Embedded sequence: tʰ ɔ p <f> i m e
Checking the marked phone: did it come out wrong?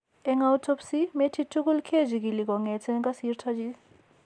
yes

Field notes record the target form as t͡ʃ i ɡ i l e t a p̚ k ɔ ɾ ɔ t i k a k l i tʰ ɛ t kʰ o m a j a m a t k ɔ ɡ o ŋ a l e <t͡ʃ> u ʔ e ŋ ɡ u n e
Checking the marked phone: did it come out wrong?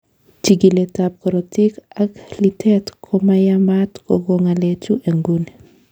no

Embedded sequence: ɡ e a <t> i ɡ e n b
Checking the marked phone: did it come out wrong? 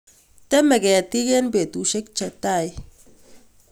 no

